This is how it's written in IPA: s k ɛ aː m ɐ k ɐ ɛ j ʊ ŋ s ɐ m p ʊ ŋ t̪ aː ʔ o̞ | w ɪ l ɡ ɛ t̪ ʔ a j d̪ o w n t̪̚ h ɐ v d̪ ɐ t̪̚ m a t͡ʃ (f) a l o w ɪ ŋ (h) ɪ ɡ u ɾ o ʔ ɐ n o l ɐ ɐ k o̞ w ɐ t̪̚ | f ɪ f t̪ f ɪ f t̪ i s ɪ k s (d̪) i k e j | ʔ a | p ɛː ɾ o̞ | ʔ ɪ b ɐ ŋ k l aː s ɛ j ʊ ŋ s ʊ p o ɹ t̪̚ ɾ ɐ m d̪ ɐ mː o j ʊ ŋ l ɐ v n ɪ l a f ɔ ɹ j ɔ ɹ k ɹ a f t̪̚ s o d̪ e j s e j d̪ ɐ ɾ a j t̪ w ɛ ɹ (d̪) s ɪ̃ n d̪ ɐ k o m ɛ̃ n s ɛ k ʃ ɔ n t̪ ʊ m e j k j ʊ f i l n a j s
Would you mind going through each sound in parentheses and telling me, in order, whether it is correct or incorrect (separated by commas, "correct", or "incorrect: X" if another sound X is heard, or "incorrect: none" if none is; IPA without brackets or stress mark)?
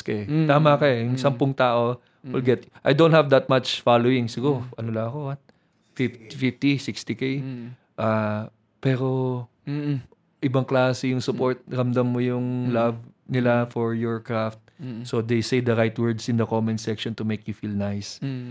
correct, incorrect: s, incorrect: t̪, correct